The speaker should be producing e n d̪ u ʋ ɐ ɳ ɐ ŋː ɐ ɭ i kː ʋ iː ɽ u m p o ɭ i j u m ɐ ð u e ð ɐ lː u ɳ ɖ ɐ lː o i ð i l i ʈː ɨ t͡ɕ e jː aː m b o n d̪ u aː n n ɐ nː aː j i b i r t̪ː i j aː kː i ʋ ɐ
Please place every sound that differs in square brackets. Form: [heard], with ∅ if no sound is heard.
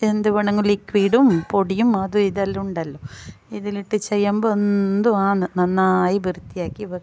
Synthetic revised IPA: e n d̪ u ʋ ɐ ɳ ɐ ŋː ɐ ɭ i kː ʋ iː ɽ u m p o [ɽ] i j u m ɐ ð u [i] ð ɐ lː u ɳ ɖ ɐ lː o i ð i l i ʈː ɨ t͡ɕ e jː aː m b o n d̪ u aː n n ɐ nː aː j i b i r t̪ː i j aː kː i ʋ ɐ